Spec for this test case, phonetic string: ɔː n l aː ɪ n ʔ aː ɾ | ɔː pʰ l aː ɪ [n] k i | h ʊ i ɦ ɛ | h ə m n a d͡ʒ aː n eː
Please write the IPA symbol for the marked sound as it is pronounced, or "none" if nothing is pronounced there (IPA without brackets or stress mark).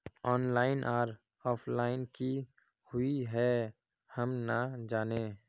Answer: n